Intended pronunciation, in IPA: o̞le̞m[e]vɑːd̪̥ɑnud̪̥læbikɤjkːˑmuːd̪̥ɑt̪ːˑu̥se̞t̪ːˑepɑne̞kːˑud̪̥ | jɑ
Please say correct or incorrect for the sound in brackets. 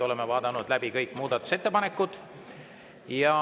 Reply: correct